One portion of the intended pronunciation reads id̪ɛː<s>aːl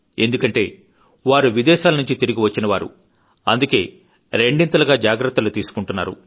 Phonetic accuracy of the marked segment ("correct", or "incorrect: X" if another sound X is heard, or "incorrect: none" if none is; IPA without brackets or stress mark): incorrect: ʃ